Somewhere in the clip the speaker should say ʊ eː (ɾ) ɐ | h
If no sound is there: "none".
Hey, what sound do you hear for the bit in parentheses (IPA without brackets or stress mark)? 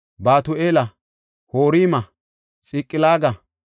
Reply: l